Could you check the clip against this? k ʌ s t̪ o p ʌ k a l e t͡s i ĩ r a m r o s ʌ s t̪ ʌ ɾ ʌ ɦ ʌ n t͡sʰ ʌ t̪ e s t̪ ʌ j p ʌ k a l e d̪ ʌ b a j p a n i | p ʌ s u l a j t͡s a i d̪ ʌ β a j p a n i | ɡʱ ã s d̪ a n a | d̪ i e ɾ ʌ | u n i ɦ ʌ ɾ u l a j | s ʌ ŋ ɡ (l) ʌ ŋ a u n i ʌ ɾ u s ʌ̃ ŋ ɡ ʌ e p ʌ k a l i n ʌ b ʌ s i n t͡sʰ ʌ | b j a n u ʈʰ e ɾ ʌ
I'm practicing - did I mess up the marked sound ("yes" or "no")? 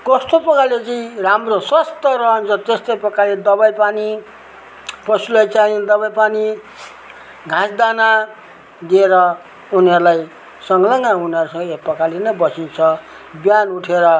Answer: no